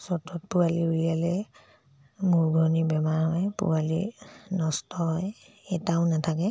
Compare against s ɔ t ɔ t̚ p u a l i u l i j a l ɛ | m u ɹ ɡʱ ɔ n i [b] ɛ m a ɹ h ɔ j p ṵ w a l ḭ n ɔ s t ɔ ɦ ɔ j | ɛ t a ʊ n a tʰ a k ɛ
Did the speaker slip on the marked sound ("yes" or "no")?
no